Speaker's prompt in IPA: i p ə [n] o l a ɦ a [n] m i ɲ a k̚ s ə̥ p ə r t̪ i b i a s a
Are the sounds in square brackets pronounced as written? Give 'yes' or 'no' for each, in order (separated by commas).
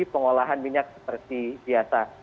no, yes